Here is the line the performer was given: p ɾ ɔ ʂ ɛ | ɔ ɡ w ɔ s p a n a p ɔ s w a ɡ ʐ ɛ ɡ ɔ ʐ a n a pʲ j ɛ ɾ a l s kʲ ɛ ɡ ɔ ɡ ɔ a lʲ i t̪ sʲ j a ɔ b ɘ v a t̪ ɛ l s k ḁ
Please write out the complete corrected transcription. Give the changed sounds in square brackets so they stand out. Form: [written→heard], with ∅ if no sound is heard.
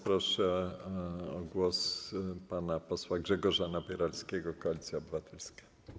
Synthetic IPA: p ɾ ɔ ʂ ɛ | ɔ ɡ w ɔ s p a n a p ɔ s w a ɡ ʐ ɛ ɡ ɔ ʐ a n a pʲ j ɛ ɾ a l s kʲ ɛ ɡ ɔ [ɡ→k] ɔ a lʲ i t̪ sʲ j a ɔ b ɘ v a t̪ ɛ l s k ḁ

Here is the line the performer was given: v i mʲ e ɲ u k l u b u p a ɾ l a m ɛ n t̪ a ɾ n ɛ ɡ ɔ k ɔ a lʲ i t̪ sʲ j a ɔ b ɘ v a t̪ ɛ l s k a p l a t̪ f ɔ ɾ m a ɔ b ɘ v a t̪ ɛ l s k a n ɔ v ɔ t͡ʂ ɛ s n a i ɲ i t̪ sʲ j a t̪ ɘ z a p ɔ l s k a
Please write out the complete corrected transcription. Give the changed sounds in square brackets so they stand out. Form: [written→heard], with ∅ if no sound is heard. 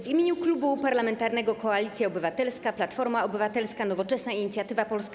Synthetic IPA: v i mʲ e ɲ u k l u b u p a ɾ l a m ɛ n t̪ a ɾ n ɛ ɡ ɔ k ɔ a lʲ i t̪ sʲ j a ɔ b ɘ v a t̪ ɛ l s k a p l a t̪ f ɔ ɾ m a ɔ b ɘ v a t̪ ɛ l s k a n ɔ v ɔ t͡ʂ ɛ s n a i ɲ i t̪ sʲ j a t̪ ɘ [z→v] a p ɔ l s k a

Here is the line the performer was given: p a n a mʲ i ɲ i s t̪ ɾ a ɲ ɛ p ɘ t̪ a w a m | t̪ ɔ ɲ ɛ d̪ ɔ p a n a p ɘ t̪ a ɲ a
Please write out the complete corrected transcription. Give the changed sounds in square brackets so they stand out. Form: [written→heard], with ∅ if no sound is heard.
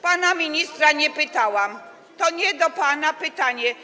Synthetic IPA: p a n a mʲ i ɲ i s t̪ ɾ a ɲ ɛ p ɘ t̪ a w a m | t̪ ɔ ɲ ɛ d̪ ɔ p a n a p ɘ t̪ a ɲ [a→ɛ]

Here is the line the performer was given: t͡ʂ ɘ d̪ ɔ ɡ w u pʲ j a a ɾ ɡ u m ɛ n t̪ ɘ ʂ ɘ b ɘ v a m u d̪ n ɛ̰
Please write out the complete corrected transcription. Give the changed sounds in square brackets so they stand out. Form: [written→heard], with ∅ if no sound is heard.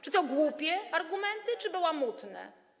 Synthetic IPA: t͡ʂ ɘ [d̪→t̪] ɔ ɡ w u pʲ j [a→ɛ] a ɾ ɡ u m ɛ n t̪ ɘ [ʂ→t͡ʂ] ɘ b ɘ [v→w] a m u [d̪→t̪] n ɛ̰

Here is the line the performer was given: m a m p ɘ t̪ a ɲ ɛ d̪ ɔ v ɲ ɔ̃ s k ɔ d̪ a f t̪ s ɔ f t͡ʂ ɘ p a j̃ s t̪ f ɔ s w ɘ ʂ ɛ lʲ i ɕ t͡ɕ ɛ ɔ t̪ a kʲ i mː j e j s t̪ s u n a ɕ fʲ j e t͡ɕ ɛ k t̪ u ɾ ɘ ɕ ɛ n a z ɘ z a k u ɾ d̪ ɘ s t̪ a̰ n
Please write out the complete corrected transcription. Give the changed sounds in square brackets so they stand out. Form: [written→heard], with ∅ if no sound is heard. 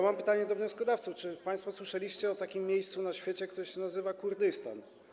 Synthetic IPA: m a m p ɘ t̪ a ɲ ɛ d̪ ɔ v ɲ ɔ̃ s k ɔ d̪ a f t̪ s [ɔ→u] f t͡ʂ ɘ p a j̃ s t̪ f ɔ s w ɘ ʂ ɛ lʲ i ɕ t͡ɕ ɛ ɔ t̪ a kʲ i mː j e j s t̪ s u n a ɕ fʲ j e t͡ɕ ɛ k t̪ u ɾ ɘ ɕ ɛ n a z ɘ [z→v] a k u ɾ d̪ ɘ s t̪ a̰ n

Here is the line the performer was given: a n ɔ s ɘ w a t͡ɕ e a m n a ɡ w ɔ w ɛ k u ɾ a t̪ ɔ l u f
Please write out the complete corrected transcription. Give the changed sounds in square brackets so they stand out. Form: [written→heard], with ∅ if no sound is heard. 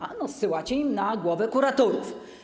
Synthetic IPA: a n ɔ s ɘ w a t͡ɕ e [a→i] m n a ɡ w ɔ [w→v] ɛ k u ɾ a t̪ ɔ [l→ɾ] u f

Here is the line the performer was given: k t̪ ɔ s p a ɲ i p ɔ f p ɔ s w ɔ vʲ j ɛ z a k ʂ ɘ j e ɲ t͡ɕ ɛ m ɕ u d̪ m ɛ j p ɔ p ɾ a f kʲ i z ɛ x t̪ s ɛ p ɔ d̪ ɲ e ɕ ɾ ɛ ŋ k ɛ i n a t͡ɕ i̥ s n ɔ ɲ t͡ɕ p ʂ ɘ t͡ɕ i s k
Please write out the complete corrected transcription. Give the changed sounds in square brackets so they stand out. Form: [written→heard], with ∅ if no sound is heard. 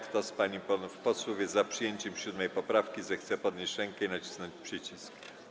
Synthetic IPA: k t̪ ɔ s p a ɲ i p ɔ f p ɔ s w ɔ vʲ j ɛ z a [k→p] ʂ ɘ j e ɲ t͡ɕ ɛ m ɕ u d̪ m ɛ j p ɔ p ɾ a f kʲ i z ɛ x t̪ s ɛ p ɔ d̪ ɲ e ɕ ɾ ɛ ŋ k ɛ i n a t͡ɕ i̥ s n ɔ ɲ t͡ɕ p ʂ ɘ t͡ɕ i s k

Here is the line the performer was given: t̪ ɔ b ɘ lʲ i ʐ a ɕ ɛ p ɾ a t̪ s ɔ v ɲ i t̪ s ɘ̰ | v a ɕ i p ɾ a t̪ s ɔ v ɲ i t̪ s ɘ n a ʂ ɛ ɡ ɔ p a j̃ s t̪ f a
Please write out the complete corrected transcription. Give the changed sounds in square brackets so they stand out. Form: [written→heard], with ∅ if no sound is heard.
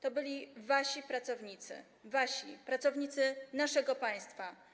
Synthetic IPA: t̪ ɔ b ɘ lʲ i [ʐ→v] a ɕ [ɛ→i] p ɾ a t̪ s ɔ v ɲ i t̪ s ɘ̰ | v a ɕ i p ɾ a t̪ s ɔ v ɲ i t̪ s ɘ n a ʂ ɛ ɡ ɔ p a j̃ s t̪ f a

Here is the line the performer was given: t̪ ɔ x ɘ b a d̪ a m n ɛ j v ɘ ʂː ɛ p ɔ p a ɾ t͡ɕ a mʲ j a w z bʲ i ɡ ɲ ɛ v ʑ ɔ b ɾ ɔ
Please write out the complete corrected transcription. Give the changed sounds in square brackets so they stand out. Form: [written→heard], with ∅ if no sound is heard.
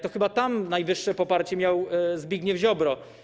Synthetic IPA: t̪ ɔ x ɘ b a [d̪→t̪] a m n [ɛ→a] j v ɘ ʂː ɛ p ɔ p a ɾ t͡ɕ [a→ɛ] mʲ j a w z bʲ i ɡ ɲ ɛ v ʑ ɔ b ɾ ɔ

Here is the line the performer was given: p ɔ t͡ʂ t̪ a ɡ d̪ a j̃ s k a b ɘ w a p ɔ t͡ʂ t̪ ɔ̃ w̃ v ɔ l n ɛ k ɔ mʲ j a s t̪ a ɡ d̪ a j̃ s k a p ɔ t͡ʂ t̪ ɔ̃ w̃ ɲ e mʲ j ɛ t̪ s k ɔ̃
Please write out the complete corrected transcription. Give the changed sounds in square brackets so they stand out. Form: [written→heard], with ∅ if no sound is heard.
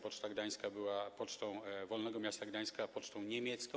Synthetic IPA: p ɔ t͡ʂ t̪ a ɡ d̪ a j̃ s k a b ɘ w a p ɔ t͡ʂ t̪ ɔ̃ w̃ v ɔ l n ɛ [k→ɡ] ɔ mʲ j a s t̪ a ɡ d̪ a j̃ s k a p ɔ t͡ʂ t̪ ɔ̃ w̃ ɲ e mʲ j ɛ t̪ s k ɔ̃

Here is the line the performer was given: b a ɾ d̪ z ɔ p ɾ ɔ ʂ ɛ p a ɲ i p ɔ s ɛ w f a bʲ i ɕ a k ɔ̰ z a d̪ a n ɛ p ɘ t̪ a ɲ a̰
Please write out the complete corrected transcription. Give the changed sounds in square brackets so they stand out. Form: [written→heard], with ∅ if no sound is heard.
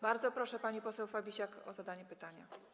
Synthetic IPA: b a ɾ d̪ z ɔ p ɾ ɔ ʂ ɛ p a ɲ i p ɔ s ɛ w f a bʲ i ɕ a k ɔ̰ z a d̪ a [n→ɲ] ɛ p ɘ t̪ a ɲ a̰

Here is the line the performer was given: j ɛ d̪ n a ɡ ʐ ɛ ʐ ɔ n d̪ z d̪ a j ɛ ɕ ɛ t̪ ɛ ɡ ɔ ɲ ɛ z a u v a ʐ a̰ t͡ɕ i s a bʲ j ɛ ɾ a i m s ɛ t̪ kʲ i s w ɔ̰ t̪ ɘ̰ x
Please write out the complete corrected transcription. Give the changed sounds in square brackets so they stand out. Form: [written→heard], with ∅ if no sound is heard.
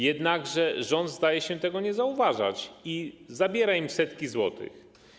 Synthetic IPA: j ɛ d̪ n a ɡ ʐ ɛ ʐ ɔ n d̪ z d̪ a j ɛ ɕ ɛ t̪ ɛ ɡ ɔ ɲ ɛ z a u v a ʐ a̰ t͡ɕ i [s→z] a bʲ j ɛ ɾ a i m s ɛ t̪ kʲ i [s→z] w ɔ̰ t̪ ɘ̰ x

